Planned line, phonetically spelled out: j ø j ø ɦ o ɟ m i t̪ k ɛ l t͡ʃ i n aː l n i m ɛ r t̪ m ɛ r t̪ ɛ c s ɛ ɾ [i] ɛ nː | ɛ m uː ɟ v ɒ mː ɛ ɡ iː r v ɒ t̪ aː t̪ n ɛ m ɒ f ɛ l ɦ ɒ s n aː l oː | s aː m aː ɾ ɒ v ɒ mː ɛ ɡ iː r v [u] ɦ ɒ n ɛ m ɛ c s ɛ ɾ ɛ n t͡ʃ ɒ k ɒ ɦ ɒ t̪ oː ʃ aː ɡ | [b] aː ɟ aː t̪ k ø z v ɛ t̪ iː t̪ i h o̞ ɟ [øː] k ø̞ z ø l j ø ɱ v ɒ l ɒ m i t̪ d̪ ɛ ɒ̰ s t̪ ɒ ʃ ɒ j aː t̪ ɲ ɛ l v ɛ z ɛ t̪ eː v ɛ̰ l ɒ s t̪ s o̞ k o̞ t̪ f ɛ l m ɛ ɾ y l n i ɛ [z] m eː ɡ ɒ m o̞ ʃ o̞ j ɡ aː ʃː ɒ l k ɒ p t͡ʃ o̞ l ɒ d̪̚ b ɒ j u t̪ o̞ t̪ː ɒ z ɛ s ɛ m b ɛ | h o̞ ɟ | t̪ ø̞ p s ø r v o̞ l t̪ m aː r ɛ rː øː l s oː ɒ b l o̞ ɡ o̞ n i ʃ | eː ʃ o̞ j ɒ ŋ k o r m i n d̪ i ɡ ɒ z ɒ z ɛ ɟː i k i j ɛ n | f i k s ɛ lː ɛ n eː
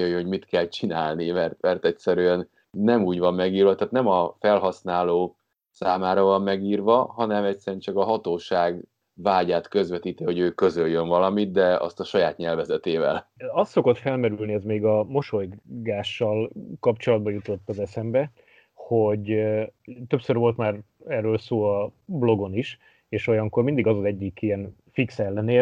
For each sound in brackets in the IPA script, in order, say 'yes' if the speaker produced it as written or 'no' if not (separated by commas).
no, no, no, yes, yes